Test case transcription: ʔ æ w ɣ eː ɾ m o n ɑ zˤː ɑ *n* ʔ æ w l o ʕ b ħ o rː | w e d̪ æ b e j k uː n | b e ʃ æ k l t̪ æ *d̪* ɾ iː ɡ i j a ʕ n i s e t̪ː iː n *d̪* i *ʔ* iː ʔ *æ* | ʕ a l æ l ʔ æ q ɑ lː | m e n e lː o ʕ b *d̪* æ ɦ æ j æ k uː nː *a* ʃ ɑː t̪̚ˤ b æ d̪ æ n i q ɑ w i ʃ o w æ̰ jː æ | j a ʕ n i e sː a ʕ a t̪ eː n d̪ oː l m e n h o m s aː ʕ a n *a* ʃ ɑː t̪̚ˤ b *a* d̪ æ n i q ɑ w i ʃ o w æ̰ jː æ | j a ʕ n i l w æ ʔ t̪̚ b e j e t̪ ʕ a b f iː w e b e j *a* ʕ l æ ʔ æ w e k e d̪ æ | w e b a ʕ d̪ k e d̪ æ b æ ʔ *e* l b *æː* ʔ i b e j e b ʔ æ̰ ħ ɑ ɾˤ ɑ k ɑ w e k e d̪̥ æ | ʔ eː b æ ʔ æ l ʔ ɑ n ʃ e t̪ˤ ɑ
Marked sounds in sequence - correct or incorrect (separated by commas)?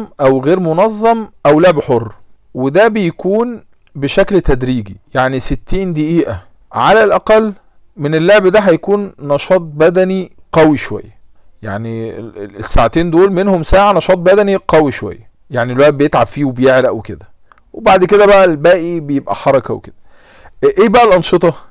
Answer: incorrect, correct, correct, correct, correct, correct, incorrect, incorrect, incorrect, incorrect, incorrect, correct